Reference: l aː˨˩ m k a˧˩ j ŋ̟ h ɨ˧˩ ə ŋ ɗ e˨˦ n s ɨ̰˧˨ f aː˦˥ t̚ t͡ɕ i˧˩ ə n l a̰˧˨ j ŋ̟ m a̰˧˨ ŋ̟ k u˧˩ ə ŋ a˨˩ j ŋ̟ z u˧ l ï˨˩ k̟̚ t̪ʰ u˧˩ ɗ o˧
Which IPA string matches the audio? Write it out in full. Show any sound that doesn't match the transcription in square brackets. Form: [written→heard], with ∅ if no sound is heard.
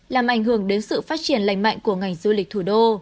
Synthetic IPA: l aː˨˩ m [k→ʔ] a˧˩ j ŋ̟ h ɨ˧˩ ə ŋ ɗ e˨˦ n s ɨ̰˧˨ f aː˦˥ t̚ t͡ɕ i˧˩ ə n l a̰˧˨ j ŋ̟ m a̰˧˨ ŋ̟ k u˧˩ ə ŋ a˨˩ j ŋ̟ z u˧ l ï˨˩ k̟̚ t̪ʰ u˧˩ ɗ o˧